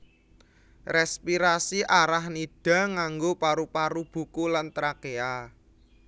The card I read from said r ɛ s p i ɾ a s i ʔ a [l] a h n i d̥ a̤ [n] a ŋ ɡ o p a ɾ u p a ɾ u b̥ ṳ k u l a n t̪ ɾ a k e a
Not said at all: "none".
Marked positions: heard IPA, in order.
ɾ, ŋ

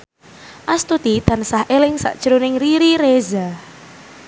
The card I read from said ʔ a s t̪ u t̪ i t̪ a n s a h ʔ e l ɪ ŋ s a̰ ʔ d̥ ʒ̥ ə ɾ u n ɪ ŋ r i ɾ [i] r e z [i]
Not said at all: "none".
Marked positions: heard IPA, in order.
i, a

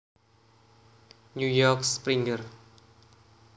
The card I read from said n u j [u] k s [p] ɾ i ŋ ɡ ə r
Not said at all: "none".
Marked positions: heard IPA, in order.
ɔ, p

